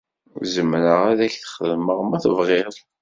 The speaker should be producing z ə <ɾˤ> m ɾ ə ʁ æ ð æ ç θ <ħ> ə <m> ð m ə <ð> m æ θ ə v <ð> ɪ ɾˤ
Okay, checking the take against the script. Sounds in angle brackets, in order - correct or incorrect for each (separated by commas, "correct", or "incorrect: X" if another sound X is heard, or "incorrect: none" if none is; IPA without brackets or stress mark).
incorrect: none, incorrect: χ, incorrect: none, incorrect: ʁ, incorrect: ʁ